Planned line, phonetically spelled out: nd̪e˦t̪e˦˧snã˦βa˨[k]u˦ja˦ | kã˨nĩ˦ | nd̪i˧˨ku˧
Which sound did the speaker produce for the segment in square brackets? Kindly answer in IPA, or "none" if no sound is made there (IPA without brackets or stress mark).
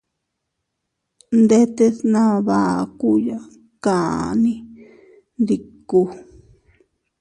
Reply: k